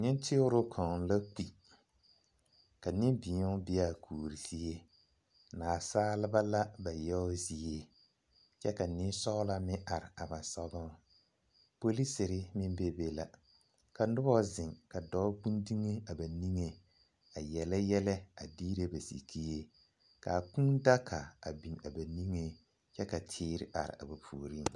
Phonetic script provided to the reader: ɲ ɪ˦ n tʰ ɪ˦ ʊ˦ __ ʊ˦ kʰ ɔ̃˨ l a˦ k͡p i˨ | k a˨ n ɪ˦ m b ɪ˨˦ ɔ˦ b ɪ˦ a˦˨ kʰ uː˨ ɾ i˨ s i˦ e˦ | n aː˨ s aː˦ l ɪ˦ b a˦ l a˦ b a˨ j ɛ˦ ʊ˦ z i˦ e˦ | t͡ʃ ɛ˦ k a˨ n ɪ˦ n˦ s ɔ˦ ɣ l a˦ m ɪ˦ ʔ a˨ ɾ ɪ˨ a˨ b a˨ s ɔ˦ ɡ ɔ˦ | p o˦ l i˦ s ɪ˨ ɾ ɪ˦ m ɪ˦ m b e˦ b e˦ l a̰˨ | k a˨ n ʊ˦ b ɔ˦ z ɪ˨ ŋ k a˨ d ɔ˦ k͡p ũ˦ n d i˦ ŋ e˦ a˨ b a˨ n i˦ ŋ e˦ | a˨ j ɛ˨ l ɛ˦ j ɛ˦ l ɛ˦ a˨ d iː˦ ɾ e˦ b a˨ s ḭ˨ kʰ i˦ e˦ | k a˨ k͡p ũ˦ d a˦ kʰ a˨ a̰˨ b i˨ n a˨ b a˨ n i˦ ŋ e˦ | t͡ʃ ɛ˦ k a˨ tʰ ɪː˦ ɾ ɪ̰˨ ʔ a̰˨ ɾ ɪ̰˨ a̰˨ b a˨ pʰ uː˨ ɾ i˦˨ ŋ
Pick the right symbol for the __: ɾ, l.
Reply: ɾ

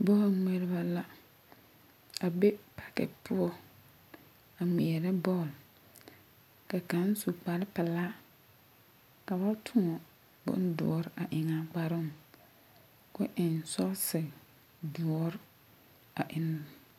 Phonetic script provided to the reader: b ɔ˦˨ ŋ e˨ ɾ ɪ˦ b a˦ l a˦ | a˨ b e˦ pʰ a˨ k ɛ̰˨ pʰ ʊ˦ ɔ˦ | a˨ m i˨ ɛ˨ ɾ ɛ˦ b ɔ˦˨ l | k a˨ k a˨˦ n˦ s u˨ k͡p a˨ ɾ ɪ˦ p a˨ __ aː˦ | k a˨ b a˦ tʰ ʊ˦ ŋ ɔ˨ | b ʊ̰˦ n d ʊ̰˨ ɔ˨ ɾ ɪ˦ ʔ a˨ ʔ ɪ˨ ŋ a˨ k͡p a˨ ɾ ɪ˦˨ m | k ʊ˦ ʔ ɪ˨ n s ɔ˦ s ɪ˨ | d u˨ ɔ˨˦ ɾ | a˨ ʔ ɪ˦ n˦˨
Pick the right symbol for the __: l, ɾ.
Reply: l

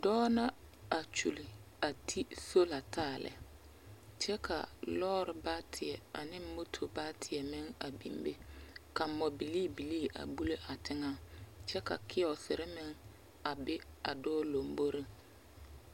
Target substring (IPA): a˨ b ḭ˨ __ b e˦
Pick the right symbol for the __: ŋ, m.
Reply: m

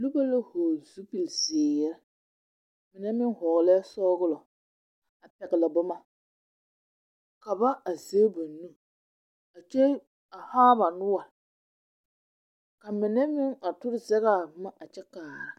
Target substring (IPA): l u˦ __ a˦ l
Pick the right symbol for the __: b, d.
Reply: b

